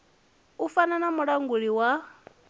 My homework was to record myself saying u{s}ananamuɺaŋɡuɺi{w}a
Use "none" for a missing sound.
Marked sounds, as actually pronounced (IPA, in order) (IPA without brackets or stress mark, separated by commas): f, w